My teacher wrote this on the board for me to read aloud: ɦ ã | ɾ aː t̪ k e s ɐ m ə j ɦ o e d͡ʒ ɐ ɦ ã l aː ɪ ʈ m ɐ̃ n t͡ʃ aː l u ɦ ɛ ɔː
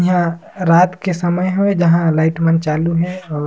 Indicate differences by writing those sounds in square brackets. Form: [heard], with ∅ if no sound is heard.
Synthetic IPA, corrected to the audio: ɦ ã | ɾ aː t̪ k e s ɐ m ə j ɦ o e d͡ʒ ɐ ɦ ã l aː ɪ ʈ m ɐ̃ n t͡ʃ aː l u ɦ ɛ ɔː